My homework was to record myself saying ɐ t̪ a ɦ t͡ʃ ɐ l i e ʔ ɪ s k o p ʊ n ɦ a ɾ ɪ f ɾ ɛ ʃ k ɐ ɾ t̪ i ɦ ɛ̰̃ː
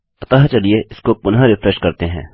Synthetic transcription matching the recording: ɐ t̪ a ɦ t͡ʃ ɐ l i e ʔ ɪ s k o p ʊ n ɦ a ɾ ɪ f ɾ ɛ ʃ k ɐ ɾ t̪ e ɦ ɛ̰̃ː